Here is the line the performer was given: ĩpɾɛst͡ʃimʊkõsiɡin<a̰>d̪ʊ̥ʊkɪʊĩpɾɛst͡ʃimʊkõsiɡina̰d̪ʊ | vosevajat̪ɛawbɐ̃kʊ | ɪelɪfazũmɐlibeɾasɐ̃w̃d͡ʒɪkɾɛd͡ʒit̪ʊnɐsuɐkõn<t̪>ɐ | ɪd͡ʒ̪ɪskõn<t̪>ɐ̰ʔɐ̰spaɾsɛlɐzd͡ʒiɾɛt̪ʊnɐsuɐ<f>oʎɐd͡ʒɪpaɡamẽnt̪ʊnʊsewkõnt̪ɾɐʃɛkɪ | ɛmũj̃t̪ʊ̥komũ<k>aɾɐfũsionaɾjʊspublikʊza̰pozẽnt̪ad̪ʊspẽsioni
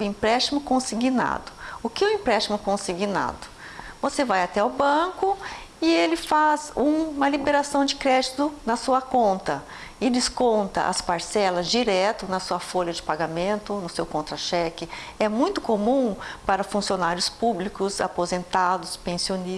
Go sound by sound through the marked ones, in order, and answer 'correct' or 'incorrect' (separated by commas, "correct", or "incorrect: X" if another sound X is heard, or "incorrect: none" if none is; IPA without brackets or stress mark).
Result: correct, correct, correct, correct, incorrect: p